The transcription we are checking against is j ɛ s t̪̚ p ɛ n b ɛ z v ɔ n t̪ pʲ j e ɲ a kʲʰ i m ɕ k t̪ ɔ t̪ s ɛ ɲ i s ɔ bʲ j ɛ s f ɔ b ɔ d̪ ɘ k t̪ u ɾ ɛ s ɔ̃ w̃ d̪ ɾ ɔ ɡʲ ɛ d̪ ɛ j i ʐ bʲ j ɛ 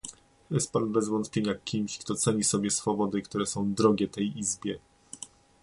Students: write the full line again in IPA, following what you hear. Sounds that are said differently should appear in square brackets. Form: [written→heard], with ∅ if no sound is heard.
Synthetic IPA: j ɛ s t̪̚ p [ɛ→a] n b ɛ z v ɔ n t̪ pʲ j e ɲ a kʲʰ i m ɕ k t̪ ɔ t̪ s ɛ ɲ i s ɔ bʲ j ɛ s f ɔ b ɔ d̪ ɘ k t̪ u ɾ ɛ s ɔ̃ w̃ d̪ ɾ ɔ ɡʲ ɛ [d̪→t̪] ɛ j i [ʐ→z] bʲ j ɛ